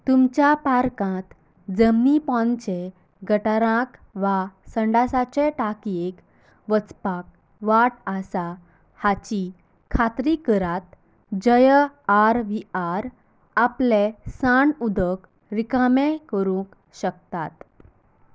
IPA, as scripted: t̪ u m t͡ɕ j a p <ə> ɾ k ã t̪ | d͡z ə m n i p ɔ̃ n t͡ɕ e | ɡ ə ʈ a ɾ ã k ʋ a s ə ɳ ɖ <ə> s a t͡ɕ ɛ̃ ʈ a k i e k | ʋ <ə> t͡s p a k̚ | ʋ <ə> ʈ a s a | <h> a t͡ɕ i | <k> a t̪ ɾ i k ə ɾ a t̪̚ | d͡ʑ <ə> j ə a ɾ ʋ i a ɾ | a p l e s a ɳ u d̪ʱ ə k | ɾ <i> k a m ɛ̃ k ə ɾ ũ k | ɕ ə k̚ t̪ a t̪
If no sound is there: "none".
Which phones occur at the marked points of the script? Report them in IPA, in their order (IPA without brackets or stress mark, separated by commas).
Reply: a, a, ə, a, h, kʰ, ə, i